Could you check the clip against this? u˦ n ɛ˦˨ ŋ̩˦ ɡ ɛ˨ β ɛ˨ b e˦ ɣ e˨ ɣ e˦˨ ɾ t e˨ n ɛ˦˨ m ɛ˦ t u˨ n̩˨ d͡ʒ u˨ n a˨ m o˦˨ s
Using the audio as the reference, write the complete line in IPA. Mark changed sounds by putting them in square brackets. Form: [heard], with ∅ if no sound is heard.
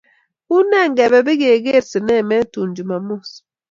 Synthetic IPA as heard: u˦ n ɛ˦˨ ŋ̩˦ ɡ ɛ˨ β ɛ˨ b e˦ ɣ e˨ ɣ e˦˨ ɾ [s] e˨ n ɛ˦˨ m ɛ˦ t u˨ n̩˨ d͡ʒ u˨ [m] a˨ m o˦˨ s